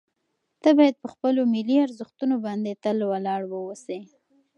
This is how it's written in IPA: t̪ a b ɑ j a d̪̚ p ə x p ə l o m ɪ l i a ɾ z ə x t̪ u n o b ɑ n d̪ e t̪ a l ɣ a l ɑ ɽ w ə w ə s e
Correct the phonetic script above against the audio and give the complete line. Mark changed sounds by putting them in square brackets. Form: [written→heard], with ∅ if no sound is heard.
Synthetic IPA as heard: t̪ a b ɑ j a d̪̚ p ə x p ə l o m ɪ l i a ɾ z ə x t̪ u n o b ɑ n d̪ e t̪ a l [ɣ→w] a l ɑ ɽ w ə w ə s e